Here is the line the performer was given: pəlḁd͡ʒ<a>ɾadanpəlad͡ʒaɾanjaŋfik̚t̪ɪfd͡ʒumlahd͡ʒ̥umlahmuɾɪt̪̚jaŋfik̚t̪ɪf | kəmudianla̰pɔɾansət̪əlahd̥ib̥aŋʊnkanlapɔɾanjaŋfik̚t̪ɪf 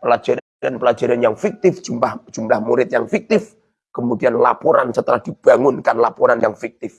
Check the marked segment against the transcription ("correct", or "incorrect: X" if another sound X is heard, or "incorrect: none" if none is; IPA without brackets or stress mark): correct